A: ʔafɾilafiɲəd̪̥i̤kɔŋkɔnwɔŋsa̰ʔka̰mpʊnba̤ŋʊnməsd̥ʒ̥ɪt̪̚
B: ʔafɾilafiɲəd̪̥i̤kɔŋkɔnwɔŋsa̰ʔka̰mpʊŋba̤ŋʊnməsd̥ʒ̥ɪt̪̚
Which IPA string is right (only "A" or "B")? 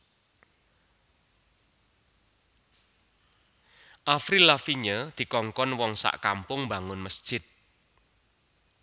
B